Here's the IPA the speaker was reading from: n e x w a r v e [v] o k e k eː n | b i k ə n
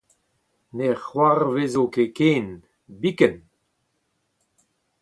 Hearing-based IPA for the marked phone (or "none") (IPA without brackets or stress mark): z